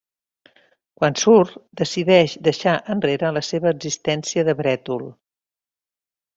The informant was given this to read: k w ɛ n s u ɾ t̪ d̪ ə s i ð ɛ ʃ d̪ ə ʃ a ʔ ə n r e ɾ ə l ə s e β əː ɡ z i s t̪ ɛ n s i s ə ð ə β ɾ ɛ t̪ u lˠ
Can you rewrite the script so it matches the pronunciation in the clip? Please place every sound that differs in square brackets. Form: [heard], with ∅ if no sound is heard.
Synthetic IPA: k w [a] n s u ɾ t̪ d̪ ə s i ð ɛ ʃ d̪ ə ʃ a ʔ ə n r e ɾ ə l ə s e β əː ɡ z i s t̪ ɛ n s i [∅] ə ð ə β ɾ ɛ t̪ u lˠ